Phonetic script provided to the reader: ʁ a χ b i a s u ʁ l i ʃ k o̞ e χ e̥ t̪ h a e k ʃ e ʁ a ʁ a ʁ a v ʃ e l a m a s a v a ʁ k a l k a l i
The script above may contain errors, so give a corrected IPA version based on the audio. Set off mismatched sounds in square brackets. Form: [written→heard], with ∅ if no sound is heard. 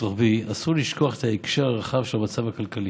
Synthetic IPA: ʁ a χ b i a s u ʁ l i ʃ k o̞ [e→a] χ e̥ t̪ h a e k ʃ e ʁ a ʁ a [ʁ→χ] a v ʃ e l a m a [s→t͡s] a v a [ʁ→∅] k a l k a l i